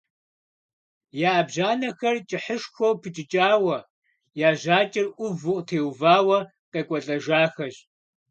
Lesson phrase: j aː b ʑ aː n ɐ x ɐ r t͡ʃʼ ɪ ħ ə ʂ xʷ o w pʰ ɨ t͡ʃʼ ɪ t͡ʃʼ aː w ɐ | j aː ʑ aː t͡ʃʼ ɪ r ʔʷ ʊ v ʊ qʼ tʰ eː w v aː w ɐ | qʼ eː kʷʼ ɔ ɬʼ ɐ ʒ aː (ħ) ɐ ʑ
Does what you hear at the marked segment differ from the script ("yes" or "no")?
yes